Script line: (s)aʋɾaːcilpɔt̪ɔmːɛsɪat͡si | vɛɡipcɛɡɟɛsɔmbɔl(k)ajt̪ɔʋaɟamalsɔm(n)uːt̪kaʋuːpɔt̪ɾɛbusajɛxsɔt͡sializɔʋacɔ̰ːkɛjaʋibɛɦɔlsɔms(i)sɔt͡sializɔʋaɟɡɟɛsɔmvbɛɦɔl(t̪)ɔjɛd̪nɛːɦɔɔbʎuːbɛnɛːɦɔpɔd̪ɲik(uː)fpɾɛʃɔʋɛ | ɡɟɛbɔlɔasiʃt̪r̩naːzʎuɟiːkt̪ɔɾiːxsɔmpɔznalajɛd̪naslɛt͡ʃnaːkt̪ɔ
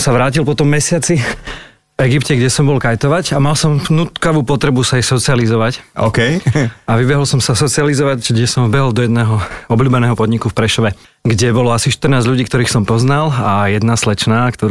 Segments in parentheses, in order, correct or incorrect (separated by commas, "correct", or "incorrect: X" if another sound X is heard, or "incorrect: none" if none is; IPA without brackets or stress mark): correct, correct, correct, incorrect: a, incorrect: d̪, incorrect: u